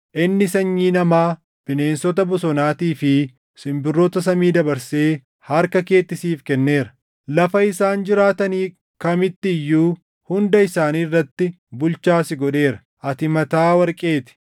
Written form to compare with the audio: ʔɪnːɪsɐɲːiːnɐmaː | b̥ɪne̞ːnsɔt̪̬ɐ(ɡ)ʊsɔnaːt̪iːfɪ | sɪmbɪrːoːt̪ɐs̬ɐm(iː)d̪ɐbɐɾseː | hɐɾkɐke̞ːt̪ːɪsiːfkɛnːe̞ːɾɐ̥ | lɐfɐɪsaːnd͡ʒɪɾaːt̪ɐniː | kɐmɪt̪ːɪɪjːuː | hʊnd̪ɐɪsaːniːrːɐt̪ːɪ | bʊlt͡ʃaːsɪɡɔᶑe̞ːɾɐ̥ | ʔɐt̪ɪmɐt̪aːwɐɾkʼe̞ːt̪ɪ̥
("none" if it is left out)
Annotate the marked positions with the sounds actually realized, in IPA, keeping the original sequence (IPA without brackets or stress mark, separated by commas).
b, iː